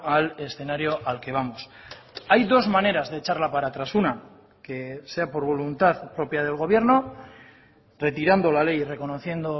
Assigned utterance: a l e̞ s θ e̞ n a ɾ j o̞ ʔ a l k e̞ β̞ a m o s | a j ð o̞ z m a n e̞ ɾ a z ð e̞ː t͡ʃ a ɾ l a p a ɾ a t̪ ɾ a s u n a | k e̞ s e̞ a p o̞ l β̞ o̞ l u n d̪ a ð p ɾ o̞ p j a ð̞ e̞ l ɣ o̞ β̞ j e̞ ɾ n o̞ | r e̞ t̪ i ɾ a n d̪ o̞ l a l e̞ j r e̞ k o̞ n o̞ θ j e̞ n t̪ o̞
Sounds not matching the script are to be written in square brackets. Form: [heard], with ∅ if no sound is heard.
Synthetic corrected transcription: a l e̞ s θ e̞ n a ɾ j o̞ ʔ a l k e̞ β̞ a m o s | a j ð o̞ z m a n e̞ ɾ a z ð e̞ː t͡ʃ a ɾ l a p a ɾ a t̪ ɾ a s u n a | k e̞ s e̞ a p o̞ [ɾ] β̞ o̞ l u n [t̪] a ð p ɾ o̞ p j a ð̞ e̞ l ɣ o̞ β̞ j e̞ ɾ n o̞ | r e̞ t̪ i ɾ a n d̪ o̞ l a l e̞ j r e̞ k o̞ n o̞ θ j e̞ n [d̪] o̞